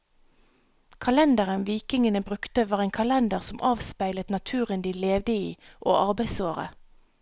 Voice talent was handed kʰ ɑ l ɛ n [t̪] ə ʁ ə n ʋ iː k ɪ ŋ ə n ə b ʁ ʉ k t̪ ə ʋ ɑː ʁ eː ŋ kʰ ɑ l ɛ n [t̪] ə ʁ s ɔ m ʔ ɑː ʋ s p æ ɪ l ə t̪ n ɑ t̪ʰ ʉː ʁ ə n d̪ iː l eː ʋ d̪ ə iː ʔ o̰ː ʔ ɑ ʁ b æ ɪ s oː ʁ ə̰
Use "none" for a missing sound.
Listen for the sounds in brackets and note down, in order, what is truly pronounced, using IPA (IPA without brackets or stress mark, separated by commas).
d̪, d̪